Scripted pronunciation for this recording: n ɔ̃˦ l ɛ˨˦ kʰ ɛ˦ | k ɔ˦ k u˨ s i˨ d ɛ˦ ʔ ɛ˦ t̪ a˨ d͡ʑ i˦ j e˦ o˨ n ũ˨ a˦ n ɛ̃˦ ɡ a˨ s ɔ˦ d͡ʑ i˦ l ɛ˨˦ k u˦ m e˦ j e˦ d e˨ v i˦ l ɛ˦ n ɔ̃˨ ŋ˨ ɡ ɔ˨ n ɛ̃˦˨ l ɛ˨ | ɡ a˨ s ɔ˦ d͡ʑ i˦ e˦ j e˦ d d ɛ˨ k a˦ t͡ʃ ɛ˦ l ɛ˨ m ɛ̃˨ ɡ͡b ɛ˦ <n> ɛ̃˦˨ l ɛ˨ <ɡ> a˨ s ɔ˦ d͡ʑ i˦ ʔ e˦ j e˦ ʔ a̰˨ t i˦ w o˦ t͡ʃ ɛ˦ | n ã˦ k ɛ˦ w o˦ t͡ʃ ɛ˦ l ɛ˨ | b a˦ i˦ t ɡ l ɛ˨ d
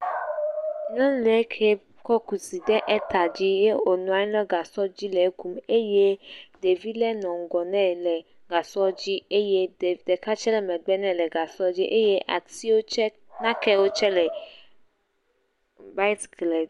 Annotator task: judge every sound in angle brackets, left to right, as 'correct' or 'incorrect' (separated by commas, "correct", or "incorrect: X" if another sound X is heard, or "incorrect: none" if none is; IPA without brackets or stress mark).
correct, correct